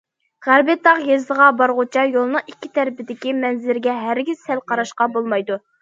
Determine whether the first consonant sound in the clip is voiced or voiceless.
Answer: voiced